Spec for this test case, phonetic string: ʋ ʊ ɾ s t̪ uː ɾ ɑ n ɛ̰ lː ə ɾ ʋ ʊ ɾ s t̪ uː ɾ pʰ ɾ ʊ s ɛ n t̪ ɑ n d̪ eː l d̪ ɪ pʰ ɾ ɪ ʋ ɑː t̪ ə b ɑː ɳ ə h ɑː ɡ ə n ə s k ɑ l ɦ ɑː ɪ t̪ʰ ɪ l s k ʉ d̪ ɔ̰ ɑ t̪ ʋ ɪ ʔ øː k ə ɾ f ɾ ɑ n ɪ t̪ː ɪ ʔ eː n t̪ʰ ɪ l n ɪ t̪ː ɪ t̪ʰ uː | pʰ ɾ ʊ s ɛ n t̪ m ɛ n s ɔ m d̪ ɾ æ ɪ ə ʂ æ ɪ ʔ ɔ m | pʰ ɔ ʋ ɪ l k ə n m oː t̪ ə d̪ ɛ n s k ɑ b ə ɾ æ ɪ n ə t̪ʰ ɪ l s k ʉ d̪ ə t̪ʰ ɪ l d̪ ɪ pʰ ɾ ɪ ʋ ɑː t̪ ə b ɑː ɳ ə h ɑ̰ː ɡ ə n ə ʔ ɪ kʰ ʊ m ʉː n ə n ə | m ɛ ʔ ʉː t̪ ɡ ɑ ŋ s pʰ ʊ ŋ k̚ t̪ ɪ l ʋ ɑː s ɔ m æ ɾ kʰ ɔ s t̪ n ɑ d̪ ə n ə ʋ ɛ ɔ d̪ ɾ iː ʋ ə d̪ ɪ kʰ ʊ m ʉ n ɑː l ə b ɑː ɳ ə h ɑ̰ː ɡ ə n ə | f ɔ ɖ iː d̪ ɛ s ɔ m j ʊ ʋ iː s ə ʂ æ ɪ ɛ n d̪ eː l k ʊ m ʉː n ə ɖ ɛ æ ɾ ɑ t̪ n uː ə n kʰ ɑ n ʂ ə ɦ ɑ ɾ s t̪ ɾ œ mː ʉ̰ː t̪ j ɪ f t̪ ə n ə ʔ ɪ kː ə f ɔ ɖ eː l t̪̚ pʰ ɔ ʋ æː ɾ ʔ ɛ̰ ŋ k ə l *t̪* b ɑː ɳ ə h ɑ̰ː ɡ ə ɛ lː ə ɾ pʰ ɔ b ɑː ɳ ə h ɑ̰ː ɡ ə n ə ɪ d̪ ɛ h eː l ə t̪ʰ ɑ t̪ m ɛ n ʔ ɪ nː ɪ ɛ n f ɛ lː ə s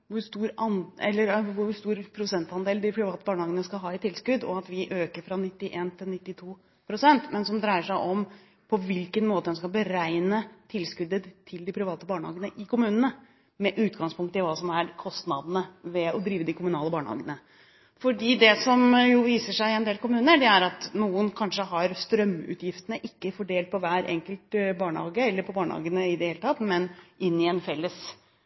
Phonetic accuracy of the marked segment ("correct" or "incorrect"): correct